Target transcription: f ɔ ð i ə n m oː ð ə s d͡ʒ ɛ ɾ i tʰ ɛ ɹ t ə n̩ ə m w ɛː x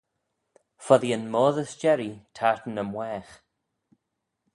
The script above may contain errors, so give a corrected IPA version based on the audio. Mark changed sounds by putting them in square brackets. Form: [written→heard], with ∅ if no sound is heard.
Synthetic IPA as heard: f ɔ ð i ə n m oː ð ə s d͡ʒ ɛ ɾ i tʰ [ɛ→a] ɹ t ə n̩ ə m w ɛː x